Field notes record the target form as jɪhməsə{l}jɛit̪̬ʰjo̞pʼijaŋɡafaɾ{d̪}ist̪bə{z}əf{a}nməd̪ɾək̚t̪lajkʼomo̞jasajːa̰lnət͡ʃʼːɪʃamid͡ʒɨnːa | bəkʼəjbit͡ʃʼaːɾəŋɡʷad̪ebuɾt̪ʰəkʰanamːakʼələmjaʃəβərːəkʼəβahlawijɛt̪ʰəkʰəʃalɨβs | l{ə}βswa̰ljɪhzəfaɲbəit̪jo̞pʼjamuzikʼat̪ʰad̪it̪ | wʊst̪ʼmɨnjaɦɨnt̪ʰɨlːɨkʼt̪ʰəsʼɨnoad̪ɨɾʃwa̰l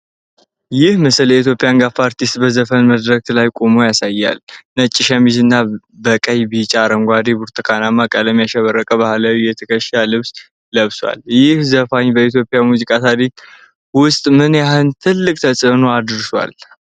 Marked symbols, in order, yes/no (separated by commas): yes, no, yes, no, yes